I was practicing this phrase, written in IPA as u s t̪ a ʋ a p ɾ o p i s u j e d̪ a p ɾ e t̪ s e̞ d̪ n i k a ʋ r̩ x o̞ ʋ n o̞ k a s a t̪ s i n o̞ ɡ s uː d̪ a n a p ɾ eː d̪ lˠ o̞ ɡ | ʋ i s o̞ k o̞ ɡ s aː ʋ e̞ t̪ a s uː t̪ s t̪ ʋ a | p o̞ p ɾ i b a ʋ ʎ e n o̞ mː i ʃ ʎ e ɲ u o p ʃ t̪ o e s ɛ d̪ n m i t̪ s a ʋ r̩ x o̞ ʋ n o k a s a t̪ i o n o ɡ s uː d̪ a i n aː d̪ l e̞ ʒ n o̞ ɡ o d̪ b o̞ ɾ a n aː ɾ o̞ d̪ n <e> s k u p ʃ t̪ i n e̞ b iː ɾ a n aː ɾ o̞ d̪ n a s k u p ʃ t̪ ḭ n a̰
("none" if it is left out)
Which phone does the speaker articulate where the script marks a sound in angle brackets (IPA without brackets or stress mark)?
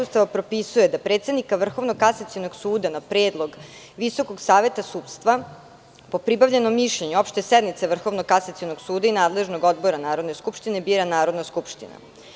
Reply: e